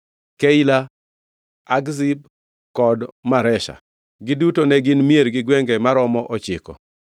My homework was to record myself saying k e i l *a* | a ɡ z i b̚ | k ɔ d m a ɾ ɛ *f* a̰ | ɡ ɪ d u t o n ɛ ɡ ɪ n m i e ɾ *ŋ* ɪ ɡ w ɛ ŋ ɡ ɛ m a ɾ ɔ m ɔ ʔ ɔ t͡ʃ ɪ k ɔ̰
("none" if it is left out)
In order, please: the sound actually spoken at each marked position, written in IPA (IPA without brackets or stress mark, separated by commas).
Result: a, ʃ, ɡ